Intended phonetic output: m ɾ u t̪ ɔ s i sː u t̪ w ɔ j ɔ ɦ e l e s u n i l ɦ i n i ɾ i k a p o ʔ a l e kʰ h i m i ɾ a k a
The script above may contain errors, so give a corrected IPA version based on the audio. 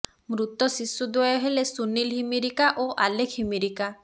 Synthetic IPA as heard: m ɾ u t̪ ɔ s i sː u d̪ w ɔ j ɔ ɦ e l e s u n i l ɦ i m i ɾ i k a ʔ o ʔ a l e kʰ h i m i ɾ i k a